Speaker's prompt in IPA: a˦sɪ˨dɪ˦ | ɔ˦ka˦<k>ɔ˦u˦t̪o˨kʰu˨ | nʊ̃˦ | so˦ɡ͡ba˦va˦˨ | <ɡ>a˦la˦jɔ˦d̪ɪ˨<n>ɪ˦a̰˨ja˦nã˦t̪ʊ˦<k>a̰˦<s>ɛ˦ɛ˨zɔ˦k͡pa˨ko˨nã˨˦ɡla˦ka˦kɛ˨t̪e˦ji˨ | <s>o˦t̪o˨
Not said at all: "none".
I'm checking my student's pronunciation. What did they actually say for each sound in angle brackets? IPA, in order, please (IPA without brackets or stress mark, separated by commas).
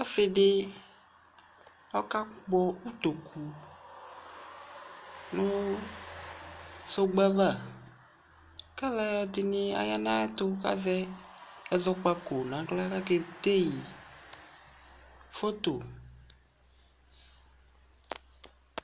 k͡p, k, n, k, z, f